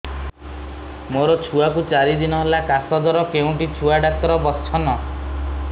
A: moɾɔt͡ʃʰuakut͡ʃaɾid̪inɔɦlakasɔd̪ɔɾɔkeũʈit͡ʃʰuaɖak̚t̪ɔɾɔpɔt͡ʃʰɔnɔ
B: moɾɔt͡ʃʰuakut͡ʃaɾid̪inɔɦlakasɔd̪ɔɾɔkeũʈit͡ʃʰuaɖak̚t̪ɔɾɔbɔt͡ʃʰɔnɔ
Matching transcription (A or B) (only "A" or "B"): B